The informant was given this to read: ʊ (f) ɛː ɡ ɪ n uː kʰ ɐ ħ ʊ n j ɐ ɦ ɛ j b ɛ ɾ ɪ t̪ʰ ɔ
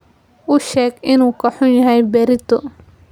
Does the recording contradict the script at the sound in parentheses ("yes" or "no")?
yes